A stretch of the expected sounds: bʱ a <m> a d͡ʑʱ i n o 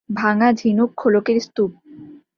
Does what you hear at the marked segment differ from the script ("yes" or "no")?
yes